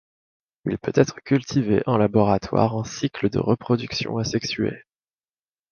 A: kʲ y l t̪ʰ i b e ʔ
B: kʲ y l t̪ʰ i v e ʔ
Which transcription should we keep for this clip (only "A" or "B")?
B